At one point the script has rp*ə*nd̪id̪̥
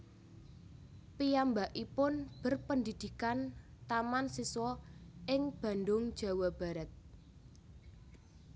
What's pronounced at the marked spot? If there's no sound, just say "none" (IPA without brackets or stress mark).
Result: ə